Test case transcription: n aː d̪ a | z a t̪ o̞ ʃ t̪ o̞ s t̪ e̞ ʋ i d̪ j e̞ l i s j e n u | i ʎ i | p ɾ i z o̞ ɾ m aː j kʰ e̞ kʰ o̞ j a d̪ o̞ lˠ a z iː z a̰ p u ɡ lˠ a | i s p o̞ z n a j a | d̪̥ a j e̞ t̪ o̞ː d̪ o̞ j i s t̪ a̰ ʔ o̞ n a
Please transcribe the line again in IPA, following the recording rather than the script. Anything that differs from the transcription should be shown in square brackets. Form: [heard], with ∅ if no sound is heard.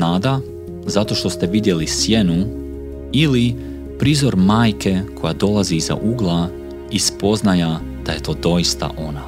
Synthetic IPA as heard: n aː d̪ a | z a t̪ o̞ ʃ t̪ o̞ s t̪ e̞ ʋ i d̪ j e̞ l i s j e n u | i [l] i | p ɾ i z o̞ ɾ m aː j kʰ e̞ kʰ o̞ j a d̪ o̞ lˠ a z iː z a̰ [ʔ] u ɡ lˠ a | i s p o̞ z n a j a | d̪̥ a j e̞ t̪ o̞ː d̪ o̞ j i s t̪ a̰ ʔ o̞ n a